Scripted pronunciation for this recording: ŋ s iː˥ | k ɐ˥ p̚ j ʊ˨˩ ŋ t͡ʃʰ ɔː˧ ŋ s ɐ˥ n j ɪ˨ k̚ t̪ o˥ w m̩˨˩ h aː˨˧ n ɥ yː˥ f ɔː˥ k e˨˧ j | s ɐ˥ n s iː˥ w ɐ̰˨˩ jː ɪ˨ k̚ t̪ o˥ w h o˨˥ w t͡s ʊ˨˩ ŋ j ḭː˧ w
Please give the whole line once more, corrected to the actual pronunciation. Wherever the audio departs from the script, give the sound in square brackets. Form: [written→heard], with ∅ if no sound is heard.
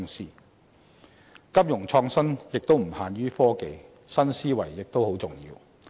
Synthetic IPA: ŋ s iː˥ | k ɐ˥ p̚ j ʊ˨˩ ŋ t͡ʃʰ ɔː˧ ŋ s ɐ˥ n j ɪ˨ k̚ t̪ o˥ w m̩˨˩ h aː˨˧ n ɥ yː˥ f ɔː˥ k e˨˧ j | s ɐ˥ n s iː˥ w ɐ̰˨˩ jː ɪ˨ k̚ t̪ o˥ w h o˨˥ w t͡s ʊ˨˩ ŋ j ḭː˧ w

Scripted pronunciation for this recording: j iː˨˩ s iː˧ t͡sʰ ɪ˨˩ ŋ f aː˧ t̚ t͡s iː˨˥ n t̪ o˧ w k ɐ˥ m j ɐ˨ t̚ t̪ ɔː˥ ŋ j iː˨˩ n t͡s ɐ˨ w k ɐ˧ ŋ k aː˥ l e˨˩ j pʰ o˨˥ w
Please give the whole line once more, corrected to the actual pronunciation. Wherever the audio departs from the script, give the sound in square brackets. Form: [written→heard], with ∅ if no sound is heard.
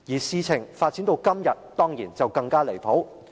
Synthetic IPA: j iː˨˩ s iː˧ t͡sʰ ɪ˨˩ ŋ f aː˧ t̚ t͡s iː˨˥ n t̪ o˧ w k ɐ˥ m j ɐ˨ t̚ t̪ ɔː˥ ŋ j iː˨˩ n t͡s ɐ˨ w k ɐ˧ ŋ k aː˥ l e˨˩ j pʰ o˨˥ w

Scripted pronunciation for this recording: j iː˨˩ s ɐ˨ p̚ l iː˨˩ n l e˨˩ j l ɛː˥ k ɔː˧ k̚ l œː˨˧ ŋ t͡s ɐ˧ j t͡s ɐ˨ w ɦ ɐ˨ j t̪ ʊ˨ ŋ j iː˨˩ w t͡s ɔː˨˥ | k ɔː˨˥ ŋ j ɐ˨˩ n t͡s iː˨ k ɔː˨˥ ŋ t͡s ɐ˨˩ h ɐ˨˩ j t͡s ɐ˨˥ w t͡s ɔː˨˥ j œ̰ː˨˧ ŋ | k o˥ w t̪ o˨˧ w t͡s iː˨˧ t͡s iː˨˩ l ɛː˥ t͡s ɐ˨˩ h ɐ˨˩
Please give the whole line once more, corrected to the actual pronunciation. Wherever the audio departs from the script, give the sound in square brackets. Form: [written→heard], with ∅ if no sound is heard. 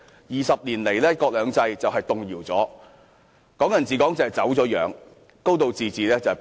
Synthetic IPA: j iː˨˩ s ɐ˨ p̚ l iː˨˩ n l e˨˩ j l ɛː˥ k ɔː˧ k̚ l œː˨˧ ŋ t͡s ɐ˧ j t͡s ɐ˨ w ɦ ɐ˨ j t̪ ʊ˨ ŋ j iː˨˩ w t͡s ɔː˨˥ | k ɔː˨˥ ŋ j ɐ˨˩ n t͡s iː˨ k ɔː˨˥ ŋ t͡s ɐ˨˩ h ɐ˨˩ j t͡s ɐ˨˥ w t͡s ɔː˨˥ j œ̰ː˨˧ ŋ | k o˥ w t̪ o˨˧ w t͡s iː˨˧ t͡s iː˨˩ l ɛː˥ t͡s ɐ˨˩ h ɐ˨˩

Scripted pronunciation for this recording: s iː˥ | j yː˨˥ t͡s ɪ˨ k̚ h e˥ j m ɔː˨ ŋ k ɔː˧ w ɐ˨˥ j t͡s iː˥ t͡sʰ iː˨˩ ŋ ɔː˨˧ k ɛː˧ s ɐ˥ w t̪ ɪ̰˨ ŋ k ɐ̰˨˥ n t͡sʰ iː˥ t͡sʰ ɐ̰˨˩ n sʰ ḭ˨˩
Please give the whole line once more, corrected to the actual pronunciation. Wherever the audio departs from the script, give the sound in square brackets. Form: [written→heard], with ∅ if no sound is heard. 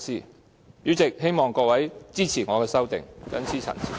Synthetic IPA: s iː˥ | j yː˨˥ t͡s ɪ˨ k̚ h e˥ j m ɔː˨ ŋ k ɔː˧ w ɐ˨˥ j t͡s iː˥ t͡sʰ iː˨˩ ŋ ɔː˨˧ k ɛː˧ s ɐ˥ w t̪ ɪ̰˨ ŋ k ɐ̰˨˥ n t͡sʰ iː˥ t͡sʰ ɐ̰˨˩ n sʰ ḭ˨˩

